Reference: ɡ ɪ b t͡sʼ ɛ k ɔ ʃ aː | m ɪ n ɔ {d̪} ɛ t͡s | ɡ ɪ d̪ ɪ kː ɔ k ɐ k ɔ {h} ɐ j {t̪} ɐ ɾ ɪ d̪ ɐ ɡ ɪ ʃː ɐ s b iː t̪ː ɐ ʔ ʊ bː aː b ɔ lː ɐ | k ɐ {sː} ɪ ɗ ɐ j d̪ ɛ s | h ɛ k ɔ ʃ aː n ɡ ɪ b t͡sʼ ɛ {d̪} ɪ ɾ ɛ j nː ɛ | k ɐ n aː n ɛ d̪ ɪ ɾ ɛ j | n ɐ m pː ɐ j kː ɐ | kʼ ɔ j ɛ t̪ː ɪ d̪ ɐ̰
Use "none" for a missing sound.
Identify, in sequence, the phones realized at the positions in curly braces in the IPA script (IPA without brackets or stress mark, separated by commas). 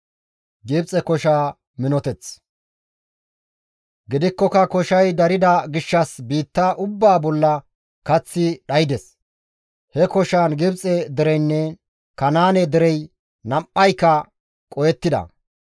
t̪, ʃ, d̪, t͡sː, d̪